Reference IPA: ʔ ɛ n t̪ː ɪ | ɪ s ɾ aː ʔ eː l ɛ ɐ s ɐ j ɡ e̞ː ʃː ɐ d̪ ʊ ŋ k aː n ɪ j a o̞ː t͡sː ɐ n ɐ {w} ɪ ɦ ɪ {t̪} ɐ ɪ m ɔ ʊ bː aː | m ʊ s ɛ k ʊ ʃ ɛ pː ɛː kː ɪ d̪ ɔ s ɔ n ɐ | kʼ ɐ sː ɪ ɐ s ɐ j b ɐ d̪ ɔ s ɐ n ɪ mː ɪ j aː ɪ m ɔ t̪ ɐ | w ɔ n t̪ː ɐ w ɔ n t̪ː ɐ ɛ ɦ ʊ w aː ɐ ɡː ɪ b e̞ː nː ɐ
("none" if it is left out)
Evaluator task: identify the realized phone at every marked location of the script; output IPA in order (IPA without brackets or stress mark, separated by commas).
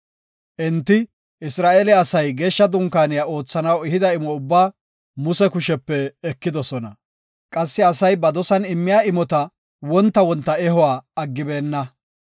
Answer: w, d̪